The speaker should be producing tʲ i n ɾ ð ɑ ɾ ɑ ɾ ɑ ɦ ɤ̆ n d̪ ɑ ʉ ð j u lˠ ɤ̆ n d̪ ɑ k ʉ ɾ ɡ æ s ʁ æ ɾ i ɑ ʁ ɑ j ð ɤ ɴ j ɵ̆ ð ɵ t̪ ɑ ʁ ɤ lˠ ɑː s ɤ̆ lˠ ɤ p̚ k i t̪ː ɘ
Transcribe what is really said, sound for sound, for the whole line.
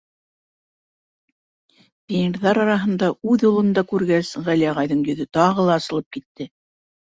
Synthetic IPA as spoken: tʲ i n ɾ ð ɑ ɾ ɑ ɾ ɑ ɦ ɤ̆ n d̪ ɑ ʉ ð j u lˠ ɤ̆ n d̪ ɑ k ʉ ɾ ɡ æ s ʁ æ l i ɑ ʁ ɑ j ð ɤ ɴ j ɵ̆ ð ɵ t̪ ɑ ʁ ɤ lˠ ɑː s ɤ̆ lˠ ɤ p̚ k i t̪ː ɘ